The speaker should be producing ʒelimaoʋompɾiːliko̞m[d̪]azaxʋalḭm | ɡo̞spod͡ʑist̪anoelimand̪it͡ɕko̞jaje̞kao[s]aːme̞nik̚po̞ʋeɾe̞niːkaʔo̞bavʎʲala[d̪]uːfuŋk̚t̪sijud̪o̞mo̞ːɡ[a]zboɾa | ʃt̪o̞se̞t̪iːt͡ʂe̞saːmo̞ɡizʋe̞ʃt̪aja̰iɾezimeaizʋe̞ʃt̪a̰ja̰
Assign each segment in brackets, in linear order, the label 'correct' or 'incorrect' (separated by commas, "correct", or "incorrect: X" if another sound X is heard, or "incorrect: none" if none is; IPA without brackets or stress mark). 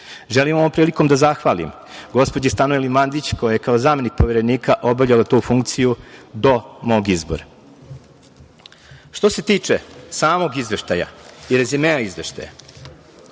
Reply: correct, incorrect: z, incorrect: t̪, incorrect: i